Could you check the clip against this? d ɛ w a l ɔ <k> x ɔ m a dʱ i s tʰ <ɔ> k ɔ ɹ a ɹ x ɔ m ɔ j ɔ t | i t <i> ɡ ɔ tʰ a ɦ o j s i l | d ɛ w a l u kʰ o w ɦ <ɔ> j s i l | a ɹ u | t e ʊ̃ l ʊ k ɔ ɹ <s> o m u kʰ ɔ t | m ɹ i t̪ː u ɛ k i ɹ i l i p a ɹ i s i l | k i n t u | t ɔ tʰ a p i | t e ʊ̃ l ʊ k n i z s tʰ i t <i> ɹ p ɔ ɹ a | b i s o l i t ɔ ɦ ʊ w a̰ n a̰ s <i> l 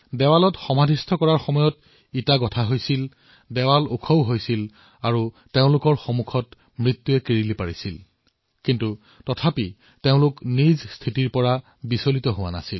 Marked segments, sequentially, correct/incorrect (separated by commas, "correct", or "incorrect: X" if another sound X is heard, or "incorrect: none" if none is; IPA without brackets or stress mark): incorrect: t, correct, incorrect: a, incorrect: o, incorrect: x, correct, correct